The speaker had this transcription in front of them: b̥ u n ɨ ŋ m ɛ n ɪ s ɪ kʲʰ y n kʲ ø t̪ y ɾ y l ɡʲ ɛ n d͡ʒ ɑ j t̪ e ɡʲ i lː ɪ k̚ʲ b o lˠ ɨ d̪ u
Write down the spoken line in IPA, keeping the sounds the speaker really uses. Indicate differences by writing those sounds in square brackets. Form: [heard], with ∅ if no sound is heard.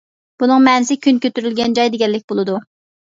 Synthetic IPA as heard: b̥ u n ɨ ŋ m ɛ n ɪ s ɪ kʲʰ y n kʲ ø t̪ y ɾ y l ɡʲ ɛ n d͡ʒ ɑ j [d̪] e ɡʲ [ɛ] lː ɪ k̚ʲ b o lˠ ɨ d̪ u